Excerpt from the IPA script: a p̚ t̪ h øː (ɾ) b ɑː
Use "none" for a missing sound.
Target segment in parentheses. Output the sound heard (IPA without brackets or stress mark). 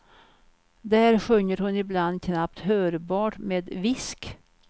ɾ